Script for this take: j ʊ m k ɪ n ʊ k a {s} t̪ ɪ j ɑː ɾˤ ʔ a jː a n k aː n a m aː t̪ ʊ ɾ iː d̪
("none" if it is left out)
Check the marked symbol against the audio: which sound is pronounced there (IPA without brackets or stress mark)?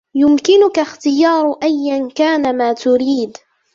x